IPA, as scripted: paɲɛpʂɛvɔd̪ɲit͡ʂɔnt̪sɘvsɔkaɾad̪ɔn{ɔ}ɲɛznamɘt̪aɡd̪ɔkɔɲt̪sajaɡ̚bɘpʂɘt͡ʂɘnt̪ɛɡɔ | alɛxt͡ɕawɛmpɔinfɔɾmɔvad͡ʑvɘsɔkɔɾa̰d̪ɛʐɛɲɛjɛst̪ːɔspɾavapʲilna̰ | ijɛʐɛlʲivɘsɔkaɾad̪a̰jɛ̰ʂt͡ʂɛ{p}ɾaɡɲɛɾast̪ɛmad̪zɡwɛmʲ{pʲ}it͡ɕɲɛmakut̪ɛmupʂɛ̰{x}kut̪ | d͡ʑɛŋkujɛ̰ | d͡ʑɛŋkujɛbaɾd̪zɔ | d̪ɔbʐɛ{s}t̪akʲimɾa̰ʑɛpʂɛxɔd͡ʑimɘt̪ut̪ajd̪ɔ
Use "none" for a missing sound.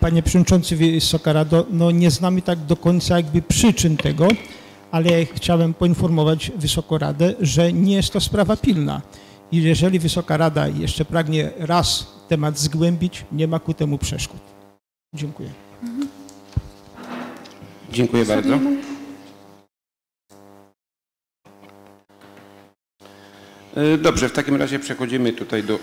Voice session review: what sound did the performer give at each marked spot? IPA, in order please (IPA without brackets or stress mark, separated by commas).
ɔ, p, bʲ, ʂ, f